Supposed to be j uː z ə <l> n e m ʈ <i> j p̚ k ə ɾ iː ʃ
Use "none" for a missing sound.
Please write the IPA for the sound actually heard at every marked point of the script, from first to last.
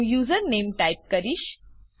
ɾ, a

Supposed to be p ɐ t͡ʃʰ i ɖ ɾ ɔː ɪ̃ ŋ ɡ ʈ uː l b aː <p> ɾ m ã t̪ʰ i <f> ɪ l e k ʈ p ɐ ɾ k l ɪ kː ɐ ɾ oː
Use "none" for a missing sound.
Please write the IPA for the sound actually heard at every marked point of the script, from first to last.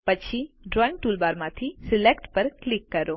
none, s

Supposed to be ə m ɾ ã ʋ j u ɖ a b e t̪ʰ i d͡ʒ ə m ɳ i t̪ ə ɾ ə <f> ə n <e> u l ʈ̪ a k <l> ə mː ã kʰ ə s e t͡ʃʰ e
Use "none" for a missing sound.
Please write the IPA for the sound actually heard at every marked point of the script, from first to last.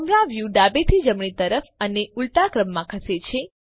f, e, ɾ

